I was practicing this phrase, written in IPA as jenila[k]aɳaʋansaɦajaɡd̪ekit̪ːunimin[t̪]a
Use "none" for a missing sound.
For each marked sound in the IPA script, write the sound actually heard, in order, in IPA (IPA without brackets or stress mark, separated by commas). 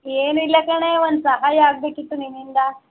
k, d̪